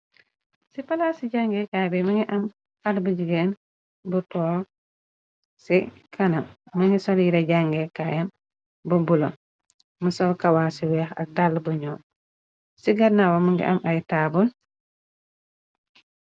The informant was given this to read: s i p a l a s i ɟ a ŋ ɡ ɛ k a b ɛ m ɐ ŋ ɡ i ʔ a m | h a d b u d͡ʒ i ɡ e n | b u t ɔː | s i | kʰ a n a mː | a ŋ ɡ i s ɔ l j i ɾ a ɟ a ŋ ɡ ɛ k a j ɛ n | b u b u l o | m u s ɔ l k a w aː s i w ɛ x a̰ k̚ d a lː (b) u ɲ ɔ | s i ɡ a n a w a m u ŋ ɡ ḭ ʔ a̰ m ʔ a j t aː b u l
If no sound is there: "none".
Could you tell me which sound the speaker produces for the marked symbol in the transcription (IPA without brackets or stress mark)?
b